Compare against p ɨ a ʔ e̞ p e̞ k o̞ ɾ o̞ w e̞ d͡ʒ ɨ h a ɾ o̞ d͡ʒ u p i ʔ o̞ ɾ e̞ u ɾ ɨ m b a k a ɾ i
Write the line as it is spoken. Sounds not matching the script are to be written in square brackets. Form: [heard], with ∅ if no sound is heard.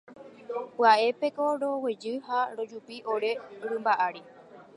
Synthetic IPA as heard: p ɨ a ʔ e̞ p e̞ k o̞ ɾ o̞ w e̞ d͡ʒ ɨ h a ɾ o̞ d͡ʒ u p i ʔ o̞ ɾ e̞ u ɾ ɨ m b a [ʔ] a ɾ i